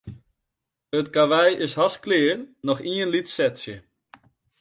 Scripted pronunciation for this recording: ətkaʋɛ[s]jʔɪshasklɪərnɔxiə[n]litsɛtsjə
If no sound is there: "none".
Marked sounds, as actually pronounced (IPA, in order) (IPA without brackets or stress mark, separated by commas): none, n